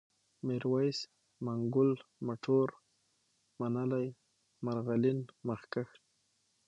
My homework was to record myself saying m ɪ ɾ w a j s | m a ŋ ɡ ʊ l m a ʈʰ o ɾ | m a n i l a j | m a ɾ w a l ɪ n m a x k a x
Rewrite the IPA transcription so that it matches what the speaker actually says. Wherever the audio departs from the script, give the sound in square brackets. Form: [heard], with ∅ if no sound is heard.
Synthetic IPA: m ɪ ɾ w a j s | m a ŋ ɡ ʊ l m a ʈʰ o ɾ | m a n [a] l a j | m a ɾ [ɣ] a l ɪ n m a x k a x